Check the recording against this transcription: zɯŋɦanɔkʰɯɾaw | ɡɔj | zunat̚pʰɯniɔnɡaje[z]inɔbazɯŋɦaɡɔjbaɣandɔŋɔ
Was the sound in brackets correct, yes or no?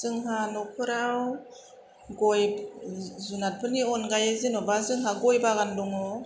yes